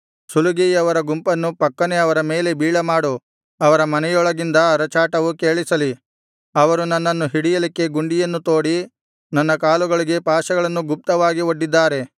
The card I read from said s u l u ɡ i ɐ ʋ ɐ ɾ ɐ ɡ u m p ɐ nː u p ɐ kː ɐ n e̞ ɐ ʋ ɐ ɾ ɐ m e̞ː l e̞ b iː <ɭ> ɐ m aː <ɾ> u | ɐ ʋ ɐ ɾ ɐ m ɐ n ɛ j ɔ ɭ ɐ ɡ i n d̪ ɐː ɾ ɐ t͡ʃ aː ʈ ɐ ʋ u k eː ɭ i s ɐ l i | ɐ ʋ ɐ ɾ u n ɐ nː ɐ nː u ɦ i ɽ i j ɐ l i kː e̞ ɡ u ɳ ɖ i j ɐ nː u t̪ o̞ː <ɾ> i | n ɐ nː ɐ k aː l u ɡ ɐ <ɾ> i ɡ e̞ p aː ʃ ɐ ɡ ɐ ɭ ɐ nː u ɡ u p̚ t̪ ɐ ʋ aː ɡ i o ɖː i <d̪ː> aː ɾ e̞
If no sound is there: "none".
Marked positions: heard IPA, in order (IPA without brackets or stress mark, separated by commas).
ɭ, ɽ, ɽ, ɭ, d̪ː